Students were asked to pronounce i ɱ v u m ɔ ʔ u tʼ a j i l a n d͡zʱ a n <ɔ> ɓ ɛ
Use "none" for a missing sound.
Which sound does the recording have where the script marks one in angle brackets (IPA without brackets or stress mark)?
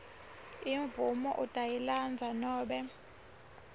ɔː